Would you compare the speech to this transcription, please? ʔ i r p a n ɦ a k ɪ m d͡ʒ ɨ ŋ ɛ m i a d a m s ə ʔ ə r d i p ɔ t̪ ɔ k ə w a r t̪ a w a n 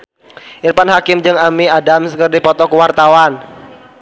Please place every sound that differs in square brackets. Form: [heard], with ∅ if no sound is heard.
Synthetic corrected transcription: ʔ i r p a n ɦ a k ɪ m d͡ʒ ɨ ŋ [a] m i a d a m s ə [k] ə r d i p ɔ t̪ ɔ k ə w a r t̪ a w a n